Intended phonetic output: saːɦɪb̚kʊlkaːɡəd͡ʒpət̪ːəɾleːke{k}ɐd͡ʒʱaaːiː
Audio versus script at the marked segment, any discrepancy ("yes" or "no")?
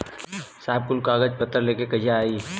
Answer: no